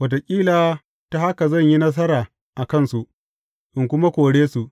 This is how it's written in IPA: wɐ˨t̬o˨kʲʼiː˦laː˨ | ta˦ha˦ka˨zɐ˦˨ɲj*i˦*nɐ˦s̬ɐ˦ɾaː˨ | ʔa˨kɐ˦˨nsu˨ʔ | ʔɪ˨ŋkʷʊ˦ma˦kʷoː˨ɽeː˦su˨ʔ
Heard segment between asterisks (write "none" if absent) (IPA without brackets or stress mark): i˦